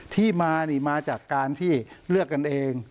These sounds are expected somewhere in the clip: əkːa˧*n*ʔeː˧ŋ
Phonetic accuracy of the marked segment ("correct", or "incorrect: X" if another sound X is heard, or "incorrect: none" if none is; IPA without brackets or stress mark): correct